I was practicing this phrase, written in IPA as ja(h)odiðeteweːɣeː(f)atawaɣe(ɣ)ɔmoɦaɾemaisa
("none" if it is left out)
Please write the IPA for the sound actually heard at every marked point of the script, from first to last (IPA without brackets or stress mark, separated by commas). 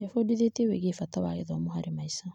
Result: f, f, ð